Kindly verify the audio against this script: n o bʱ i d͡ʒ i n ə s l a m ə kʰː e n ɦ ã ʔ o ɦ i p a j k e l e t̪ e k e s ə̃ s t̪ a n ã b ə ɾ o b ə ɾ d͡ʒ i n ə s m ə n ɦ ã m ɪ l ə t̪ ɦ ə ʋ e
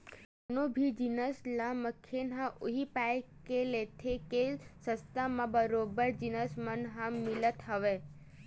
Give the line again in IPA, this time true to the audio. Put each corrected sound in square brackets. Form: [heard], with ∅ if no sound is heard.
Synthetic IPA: n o bʱ i d͡ʒ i n ə s l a m ə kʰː e n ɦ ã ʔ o ɦ i p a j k e l e [t̪ʰ] e k e s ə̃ s t̪ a [m] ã b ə ɾ o b ə ɾ d͡ʒ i n ə s m ə n ɦ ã m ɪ l ə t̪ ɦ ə ʋ e